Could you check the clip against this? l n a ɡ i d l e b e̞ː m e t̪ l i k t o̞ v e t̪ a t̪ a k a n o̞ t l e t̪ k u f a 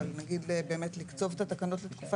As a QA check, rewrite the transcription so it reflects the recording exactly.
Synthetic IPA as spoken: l n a ɡ i d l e b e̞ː m e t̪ l i k t͡s o̞ v e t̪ a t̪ a k a n o̞ t l e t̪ k u f a